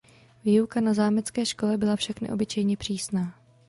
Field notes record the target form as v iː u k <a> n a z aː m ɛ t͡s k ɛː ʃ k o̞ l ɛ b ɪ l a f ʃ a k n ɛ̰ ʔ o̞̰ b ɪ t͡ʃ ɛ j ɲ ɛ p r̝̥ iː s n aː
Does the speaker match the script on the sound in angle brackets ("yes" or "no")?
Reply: yes